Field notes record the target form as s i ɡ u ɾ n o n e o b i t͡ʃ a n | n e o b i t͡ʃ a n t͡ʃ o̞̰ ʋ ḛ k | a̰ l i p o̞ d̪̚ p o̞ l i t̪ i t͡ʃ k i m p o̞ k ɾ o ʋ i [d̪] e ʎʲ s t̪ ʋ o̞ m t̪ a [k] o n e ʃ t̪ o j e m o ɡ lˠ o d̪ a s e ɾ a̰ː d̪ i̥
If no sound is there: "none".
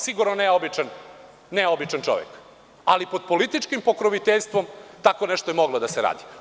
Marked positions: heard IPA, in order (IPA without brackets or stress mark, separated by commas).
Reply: t̪, k